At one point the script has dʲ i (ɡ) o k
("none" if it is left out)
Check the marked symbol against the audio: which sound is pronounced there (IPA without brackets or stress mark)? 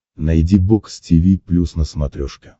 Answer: b